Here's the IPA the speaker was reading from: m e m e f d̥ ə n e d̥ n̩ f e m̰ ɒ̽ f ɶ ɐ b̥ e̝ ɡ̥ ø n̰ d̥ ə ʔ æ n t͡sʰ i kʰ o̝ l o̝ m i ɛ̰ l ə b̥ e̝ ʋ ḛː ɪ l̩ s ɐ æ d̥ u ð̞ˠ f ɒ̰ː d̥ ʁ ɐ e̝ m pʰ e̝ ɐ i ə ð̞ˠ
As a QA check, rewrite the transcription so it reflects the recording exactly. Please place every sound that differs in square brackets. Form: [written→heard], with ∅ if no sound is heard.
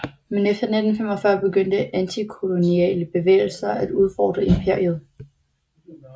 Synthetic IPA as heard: m e [m→n] e f d̥ [ə→ɐ] n e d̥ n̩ f e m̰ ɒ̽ f ɶ ɐ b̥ e̝ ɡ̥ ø n̰ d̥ ə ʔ æ n t͡sʰ i kʰ o̝ l o̝ [m→n] i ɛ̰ l ə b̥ e̝ ʋ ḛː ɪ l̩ s ɐ æ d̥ u ð̞ˠ f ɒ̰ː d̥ ʁ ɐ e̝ m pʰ e̝ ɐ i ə ð̞ˠ